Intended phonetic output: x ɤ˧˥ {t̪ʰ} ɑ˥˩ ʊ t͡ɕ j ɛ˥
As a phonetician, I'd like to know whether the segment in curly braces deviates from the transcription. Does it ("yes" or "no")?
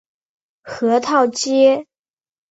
no